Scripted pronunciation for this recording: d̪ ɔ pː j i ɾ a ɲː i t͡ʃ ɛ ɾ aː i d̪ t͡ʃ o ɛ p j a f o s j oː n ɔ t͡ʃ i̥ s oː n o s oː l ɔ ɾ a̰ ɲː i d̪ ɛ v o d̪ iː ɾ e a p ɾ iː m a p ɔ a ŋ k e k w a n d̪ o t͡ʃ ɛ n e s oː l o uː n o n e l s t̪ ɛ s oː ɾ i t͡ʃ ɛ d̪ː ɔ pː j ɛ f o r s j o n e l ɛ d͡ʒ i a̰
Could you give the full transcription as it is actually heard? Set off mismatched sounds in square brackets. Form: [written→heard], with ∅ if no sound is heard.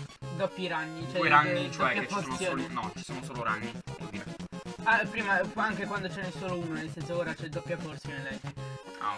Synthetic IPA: d̪ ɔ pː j i ɾ a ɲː i t͡ʃ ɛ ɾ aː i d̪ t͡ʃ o ɛ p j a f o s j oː n ɔ t͡ʃ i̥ s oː n o s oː l [ɔ→o] ɾ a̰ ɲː i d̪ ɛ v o d̪ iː ɾ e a p ɾ iː m a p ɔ a ŋ k e k w a n d̪ o t͡ʃ ɛ n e s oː l o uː n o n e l s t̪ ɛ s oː ɾ [i→a] t͡ʃ ɛ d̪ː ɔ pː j [ɛ→a] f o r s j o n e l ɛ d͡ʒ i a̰

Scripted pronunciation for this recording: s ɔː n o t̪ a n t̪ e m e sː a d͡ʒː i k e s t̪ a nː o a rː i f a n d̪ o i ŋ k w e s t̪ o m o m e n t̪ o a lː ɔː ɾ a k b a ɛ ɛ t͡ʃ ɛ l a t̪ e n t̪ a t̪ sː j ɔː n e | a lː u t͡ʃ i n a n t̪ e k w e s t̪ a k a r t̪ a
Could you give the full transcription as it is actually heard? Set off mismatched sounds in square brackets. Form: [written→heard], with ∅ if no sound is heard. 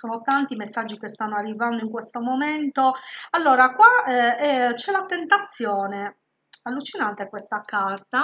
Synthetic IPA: s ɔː n o t̪ a n t̪ [e→i] m e sː a d͡ʒː i k e s t̪ a nː o a rː i [f→v] a n d̪ o i ŋ k w e s t̪ o m o m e n t̪ o a lː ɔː ɾ a k [b→w] a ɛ ɛ t͡ʃ ɛ l a t̪ e n t̪ a t̪ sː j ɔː n e | a lː u t͡ʃ i n a n t̪ e k w e s t̪ a k a r t̪ a

